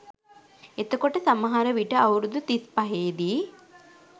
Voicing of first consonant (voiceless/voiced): voiceless